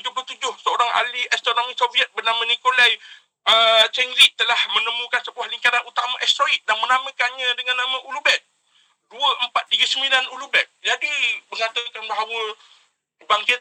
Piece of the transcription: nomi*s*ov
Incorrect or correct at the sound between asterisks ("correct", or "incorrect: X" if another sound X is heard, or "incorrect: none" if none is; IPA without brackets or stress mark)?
correct